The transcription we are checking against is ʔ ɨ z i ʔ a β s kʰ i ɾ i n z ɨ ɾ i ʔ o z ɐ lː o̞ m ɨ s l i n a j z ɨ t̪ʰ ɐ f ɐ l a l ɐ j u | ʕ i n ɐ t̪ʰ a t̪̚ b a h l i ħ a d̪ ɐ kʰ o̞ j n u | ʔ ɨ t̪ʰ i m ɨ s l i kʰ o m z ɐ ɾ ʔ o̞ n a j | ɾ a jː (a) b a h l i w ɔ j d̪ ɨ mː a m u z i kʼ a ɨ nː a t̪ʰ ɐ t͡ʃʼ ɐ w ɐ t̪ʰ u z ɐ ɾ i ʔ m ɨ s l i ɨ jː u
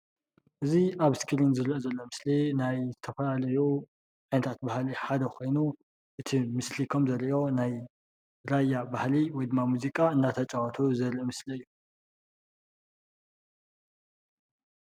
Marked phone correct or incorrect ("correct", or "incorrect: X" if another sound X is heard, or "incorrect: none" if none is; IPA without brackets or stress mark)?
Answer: correct